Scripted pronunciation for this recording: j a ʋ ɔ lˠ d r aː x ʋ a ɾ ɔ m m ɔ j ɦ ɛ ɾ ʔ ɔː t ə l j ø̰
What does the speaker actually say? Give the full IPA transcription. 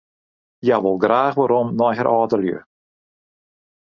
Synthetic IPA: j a ʋ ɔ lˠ ɡ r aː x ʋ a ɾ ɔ m n ɔ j ɦ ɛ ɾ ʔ ɔː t ə l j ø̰